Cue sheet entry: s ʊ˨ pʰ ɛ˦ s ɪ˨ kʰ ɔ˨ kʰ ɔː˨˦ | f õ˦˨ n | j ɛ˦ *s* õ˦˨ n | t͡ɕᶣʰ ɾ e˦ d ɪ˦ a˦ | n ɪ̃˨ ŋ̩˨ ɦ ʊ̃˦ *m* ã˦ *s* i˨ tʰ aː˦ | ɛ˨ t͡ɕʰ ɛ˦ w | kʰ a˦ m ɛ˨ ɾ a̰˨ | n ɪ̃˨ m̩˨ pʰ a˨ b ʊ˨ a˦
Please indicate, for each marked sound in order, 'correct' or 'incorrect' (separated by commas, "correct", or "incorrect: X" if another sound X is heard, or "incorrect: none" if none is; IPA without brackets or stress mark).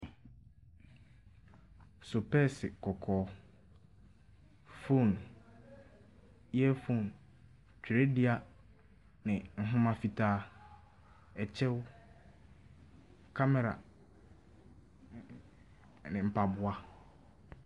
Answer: incorrect: f, correct, incorrect: f